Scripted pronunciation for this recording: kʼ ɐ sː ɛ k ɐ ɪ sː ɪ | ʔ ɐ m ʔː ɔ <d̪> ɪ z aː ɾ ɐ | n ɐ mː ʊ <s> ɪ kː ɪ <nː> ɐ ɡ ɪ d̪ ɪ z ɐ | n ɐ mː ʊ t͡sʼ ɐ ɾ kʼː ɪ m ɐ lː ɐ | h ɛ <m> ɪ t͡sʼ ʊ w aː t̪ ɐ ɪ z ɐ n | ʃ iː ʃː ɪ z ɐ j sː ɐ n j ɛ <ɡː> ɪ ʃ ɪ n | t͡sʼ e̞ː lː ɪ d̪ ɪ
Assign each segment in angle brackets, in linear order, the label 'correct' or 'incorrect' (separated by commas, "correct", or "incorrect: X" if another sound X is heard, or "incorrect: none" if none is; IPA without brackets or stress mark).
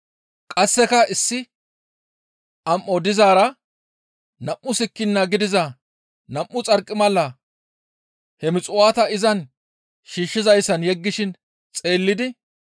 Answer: correct, correct, correct, correct, correct